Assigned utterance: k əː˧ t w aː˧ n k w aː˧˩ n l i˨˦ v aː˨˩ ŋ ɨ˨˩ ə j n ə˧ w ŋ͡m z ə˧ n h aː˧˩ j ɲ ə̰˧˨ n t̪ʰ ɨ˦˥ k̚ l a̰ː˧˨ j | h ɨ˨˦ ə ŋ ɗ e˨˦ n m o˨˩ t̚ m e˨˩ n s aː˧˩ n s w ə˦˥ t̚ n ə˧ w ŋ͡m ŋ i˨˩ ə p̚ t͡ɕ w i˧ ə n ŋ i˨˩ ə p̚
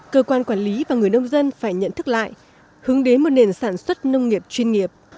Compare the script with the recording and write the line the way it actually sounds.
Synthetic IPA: k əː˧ k w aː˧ n k w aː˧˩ n l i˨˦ v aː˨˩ ŋ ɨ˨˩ ə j n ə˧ w ŋ͡m z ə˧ n f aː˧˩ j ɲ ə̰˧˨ n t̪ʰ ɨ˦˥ k̚ l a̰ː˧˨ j | h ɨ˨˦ ə ŋ ɗ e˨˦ n m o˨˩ t̚ n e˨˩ n s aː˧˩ n s w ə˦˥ t̚ n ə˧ w ŋ͡m ŋ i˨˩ ə p̚ t͡ɕ w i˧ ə n ŋ i˨˩ ə p̚